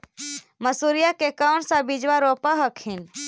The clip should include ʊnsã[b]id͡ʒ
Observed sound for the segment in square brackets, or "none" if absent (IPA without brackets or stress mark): b